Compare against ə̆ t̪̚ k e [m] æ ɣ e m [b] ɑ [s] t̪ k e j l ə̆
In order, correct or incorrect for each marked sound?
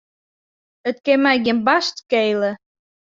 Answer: correct, correct, incorrect: ʃ

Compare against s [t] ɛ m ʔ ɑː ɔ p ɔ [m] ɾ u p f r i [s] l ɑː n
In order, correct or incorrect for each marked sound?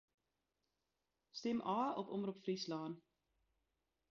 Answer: correct, correct, correct

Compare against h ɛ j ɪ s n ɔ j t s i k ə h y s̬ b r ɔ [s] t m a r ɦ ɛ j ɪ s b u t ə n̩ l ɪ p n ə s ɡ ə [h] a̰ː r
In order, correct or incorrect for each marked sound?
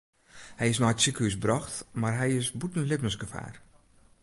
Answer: incorrect: x, incorrect: f

